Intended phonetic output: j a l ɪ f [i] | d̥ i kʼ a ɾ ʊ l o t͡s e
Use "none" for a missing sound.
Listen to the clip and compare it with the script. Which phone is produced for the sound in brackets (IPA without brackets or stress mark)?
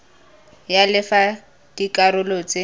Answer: a